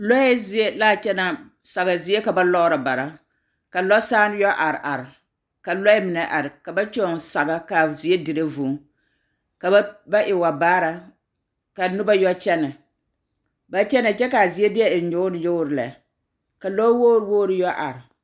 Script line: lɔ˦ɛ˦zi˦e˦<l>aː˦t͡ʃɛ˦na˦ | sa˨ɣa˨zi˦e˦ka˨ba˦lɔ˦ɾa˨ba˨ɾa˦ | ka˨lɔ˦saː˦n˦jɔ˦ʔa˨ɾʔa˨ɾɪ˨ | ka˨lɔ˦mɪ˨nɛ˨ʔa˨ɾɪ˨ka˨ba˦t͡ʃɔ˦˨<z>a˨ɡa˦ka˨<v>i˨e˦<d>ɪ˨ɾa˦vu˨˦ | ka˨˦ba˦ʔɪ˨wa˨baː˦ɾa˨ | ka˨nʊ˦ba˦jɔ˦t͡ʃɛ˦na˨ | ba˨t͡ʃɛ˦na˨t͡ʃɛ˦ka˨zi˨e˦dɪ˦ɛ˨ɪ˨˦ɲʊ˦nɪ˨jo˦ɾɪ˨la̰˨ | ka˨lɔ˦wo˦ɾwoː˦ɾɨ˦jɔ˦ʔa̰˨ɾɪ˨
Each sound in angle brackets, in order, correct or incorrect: correct, incorrect: s, incorrect: z, correct

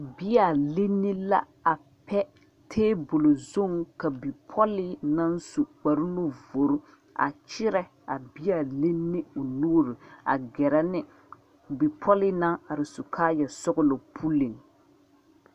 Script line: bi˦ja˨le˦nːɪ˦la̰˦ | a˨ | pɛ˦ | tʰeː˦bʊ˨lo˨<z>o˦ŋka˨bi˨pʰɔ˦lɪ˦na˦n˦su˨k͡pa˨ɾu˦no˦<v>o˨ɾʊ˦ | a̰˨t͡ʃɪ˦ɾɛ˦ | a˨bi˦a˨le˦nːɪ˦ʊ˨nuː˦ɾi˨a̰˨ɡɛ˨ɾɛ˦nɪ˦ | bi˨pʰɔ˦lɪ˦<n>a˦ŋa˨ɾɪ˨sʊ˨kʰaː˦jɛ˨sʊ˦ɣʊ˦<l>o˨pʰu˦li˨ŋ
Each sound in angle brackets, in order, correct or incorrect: correct, correct, correct, correct

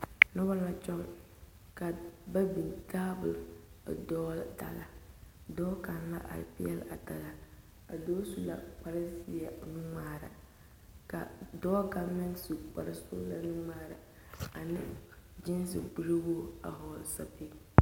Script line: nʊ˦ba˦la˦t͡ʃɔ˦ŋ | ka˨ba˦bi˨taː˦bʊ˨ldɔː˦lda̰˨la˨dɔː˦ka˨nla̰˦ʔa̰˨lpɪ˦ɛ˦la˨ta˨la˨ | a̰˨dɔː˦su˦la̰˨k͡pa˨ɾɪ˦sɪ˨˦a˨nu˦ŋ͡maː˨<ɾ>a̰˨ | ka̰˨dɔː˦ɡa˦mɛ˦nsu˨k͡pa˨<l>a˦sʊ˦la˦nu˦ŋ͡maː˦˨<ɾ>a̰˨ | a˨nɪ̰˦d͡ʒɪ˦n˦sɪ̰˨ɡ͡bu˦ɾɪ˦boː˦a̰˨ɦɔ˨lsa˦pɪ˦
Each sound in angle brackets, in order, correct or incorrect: correct, incorrect: ɾ, correct

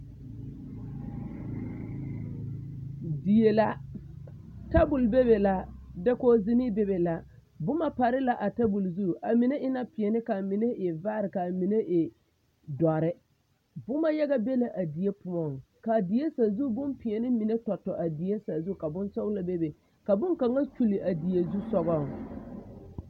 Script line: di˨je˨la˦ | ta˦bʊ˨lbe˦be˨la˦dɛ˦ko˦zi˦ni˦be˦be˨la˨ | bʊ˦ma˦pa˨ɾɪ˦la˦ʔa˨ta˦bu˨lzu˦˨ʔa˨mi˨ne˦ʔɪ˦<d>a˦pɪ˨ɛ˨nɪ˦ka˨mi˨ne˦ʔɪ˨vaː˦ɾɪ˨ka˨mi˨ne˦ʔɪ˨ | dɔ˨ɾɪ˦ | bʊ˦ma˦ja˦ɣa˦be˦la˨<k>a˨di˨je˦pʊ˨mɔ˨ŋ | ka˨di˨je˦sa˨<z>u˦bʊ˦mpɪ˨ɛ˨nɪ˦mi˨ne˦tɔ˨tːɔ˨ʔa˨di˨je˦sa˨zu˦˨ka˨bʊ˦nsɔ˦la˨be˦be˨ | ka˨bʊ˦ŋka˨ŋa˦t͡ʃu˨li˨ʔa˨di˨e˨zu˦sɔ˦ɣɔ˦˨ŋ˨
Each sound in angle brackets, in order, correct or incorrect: incorrect: n, incorrect: ʔ, correct

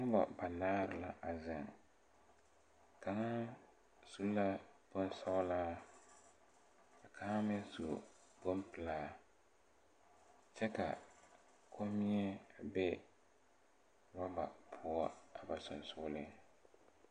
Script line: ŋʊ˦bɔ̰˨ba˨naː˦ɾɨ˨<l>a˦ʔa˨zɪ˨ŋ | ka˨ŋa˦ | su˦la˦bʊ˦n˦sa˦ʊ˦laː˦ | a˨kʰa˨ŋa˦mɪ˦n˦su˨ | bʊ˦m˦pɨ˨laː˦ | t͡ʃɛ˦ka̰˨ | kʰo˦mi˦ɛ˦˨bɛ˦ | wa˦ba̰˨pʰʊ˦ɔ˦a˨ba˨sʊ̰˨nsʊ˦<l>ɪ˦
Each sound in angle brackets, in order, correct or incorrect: correct, correct

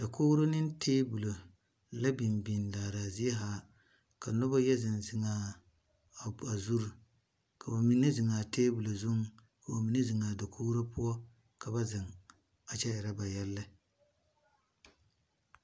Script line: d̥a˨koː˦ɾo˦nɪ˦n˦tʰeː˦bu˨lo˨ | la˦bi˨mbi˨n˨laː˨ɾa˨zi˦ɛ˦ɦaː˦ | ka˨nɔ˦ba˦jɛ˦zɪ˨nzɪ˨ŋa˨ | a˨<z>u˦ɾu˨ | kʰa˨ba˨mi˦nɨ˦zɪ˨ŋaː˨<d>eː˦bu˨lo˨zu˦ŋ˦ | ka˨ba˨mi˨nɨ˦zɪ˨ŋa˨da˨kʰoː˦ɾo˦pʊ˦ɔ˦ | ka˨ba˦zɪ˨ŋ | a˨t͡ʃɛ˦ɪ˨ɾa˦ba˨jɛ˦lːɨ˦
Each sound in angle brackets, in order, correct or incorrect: correct, incorrect: t

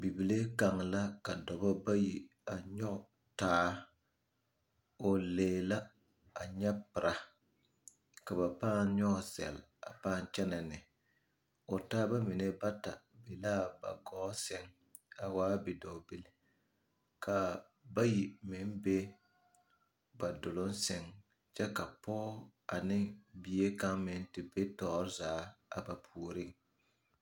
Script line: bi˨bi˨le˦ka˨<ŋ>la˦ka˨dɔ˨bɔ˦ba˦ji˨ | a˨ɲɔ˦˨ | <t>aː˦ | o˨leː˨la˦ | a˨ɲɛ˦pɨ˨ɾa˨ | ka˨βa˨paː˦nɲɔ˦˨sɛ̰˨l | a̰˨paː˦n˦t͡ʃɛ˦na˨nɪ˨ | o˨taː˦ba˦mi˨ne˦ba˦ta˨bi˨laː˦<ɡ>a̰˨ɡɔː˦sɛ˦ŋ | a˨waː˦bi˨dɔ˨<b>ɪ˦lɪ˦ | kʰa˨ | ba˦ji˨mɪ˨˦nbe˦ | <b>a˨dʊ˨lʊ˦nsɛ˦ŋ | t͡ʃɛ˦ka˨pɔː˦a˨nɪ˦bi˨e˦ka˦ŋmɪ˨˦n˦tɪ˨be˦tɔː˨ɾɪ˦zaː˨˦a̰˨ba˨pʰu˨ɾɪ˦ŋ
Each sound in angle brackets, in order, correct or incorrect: correct, correct, incorrect: b, correct, correct

